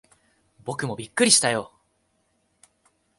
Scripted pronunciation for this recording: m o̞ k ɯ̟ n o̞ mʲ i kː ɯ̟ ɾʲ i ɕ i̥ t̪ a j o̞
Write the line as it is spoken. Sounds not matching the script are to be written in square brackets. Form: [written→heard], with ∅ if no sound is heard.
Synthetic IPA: [m→b] o̞ k ɯ̟ [n→m] o̞ [mʲ→bʲ] i kː ɯ̟ ɾʲ i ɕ i̥ t̪ a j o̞